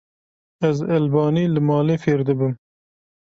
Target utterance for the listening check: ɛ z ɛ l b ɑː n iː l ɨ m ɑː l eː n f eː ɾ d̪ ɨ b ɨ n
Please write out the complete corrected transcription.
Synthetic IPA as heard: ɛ z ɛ l b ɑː n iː l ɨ m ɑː l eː f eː ɾ d̪ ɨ b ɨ m